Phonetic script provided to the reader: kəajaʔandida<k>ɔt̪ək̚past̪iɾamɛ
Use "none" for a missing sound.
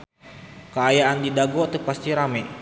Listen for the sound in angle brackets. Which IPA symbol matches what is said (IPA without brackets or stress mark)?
ɡ